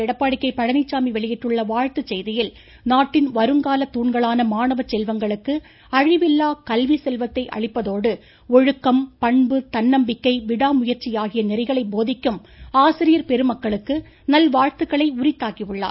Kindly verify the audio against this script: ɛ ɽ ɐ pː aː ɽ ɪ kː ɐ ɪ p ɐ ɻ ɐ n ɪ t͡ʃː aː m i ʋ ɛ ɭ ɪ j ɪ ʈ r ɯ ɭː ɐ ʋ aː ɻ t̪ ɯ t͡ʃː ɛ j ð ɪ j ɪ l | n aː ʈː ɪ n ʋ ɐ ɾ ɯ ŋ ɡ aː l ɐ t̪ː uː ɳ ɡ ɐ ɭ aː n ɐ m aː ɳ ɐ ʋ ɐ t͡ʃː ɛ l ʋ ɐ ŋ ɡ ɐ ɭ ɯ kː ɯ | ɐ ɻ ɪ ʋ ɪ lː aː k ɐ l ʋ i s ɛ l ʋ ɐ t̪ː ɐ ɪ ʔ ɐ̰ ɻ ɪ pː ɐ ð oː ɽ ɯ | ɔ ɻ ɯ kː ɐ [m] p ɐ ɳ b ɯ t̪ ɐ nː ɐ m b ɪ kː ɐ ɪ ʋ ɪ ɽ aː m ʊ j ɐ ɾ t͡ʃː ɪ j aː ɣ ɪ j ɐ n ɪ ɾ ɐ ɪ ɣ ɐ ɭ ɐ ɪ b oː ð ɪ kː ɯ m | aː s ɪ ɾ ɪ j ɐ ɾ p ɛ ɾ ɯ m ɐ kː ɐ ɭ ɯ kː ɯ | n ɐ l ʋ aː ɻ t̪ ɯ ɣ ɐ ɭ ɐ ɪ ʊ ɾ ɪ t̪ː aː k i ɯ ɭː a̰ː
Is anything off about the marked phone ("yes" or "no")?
no